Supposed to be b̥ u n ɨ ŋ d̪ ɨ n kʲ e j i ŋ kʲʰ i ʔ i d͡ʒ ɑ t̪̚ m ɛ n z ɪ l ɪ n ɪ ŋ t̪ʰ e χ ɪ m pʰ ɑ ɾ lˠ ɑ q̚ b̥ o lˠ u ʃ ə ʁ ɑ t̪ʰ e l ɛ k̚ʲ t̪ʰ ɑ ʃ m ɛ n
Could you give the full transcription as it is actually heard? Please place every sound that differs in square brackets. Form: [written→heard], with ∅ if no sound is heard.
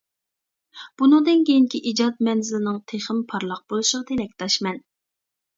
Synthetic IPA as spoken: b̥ u n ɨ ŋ d̪ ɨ n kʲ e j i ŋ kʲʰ i ʔ i d͡ʒ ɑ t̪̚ m ɛ n z ɪ l ɪ n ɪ ŋ t̪ʰ e χ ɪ m pʰ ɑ ɾ lˠ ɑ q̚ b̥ o lˠ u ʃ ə ʁ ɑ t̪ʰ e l ɛ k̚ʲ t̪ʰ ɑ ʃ m ɛ n